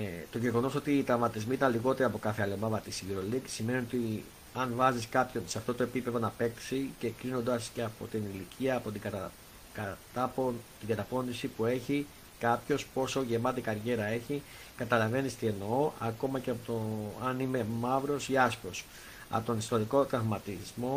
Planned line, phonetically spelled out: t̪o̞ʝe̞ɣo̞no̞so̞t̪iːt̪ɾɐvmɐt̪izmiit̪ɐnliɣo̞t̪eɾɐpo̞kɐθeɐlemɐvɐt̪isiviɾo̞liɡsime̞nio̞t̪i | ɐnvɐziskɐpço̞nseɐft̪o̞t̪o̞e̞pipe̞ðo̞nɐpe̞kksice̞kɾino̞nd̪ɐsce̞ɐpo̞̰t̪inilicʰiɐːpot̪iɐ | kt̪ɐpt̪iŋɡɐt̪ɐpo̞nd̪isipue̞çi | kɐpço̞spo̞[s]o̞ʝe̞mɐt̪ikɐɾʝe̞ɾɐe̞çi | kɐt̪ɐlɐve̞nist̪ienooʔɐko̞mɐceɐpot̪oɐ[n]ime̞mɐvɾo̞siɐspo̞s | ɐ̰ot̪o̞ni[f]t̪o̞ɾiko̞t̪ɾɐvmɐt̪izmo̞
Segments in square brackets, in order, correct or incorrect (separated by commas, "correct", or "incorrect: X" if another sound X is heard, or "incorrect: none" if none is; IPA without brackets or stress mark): correct, correct, incorrect: s